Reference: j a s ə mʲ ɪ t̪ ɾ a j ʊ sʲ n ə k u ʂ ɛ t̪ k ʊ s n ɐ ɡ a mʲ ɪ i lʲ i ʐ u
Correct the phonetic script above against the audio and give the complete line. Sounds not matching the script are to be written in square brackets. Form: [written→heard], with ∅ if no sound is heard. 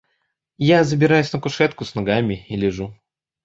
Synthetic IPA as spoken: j a [s→z] ə [mʲ→bʲ] ɪ [t̪→∅] ɾ a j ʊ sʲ n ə k [u→ʊ] ʂ ɛ t̪ k ʊ s n ɐ ɡ a mʲ ɪ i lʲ [i→ɪ] ʐ u